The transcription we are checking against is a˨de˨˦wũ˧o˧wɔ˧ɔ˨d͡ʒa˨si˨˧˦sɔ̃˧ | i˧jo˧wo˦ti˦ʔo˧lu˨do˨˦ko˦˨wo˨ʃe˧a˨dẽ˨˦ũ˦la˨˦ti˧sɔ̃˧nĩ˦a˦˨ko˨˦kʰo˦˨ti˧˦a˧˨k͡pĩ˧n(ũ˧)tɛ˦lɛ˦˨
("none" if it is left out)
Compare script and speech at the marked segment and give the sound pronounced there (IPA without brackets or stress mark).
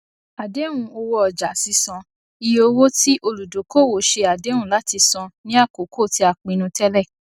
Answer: ũ˧